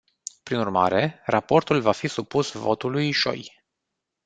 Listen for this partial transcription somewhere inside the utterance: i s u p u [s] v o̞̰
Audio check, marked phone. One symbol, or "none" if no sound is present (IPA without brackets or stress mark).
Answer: s